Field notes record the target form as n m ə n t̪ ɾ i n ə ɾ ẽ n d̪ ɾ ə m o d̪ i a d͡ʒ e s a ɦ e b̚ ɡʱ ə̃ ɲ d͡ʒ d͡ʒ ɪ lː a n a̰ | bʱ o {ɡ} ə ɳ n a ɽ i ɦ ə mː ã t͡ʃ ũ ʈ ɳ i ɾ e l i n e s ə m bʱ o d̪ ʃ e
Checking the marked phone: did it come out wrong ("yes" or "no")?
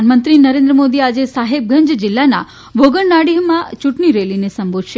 no